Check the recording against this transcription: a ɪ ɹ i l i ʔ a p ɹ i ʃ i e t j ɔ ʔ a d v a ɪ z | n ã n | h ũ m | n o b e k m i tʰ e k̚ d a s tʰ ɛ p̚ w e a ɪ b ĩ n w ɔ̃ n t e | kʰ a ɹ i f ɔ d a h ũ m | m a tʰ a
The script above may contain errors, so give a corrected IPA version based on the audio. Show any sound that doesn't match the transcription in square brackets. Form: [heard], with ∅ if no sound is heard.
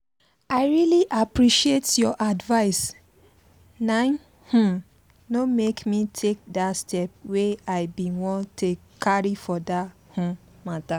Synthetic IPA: a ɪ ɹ i l i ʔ a p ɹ i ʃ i e t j ɔ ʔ a d v a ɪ [s] | n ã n | h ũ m | n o [m] e k m i tʰ e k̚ d a s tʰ ɛ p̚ w e a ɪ b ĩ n w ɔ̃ n t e | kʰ a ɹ i f ɔ d a h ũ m | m a [t] a